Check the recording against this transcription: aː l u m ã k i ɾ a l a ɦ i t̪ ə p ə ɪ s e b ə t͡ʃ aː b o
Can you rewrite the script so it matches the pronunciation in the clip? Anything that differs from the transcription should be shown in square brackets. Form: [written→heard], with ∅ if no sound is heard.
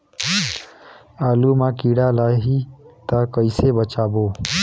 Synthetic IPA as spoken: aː l u m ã k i [ɾ→ɽ] a l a ɦ i t̪ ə [p→k] ə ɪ s e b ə t͡ʃ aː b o